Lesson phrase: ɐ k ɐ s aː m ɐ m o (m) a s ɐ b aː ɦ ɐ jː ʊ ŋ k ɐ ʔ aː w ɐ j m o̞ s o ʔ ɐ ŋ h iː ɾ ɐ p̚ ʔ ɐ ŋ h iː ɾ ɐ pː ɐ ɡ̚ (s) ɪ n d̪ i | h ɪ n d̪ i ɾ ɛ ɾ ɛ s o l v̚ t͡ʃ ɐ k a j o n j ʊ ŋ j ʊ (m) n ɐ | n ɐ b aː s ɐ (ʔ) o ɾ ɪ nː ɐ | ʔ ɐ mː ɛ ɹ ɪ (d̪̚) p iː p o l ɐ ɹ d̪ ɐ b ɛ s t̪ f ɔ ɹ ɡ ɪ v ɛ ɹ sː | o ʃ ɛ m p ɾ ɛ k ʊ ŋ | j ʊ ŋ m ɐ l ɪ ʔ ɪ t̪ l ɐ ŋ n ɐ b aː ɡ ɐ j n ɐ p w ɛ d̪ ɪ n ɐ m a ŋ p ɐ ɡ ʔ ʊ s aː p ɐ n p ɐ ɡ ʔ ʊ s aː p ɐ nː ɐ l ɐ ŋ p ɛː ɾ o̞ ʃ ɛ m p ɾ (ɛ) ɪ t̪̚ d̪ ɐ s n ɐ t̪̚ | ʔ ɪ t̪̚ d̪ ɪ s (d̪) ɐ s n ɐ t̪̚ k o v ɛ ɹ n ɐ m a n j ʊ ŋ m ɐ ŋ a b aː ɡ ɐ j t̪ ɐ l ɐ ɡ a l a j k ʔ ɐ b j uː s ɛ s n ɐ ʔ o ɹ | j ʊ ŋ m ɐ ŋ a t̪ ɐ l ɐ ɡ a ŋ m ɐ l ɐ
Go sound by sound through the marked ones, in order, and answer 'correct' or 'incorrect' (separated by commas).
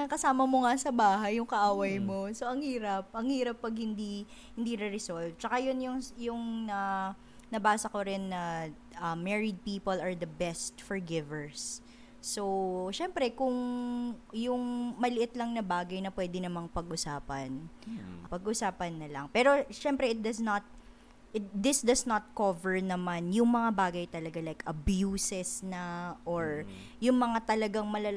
incorrect, incorrect, incorrect, incorrect, correct, correct, correct